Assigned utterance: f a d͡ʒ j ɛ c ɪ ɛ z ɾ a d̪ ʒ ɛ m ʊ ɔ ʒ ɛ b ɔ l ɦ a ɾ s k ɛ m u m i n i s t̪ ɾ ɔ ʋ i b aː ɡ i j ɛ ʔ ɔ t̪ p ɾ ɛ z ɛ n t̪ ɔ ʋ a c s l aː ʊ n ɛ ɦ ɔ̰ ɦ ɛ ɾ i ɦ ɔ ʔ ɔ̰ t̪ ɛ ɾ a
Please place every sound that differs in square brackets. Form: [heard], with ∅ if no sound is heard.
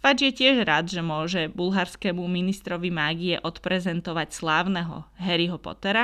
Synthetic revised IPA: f a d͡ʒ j ɛ c ɪ ɛ [ʒ] ɾ a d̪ ʒ ɛ m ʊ ɔ ʒ ɛ b [u] l ɦ a ɾ s k ɛ m u m i n i s t̪ ɾ ɔ ʋ i [m] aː ɡ i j ɛ ʔ ɔ t̪ p ɾ ɛ z ɛ n t̪ ɔ ʋ a c s l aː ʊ n ɛ ɦ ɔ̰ ɦ ɛ ɾ i ɦ ɔ [p] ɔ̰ t̪ ɛ ɾ a